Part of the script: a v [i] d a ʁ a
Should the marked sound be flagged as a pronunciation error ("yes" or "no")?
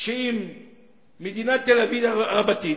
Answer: no